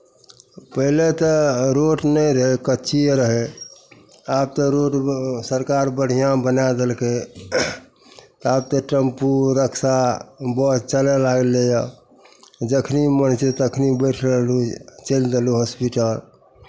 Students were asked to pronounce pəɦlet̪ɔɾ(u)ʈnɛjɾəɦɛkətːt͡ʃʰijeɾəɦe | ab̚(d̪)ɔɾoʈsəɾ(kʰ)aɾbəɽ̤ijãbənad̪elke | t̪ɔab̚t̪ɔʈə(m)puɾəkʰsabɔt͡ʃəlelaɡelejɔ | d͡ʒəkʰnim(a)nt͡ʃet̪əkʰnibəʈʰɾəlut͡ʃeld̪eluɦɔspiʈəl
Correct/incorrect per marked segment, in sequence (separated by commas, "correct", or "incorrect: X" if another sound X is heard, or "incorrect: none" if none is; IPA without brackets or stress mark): incorrect: o, incorrect: t̪, incorrect: k, correct, incorrect: ə